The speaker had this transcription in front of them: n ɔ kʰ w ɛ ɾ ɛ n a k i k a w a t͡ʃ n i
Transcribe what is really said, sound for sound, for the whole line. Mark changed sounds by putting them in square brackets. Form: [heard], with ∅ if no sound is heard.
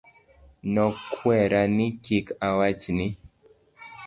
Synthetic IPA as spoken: n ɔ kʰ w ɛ ɾ [a] n [i] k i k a w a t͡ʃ n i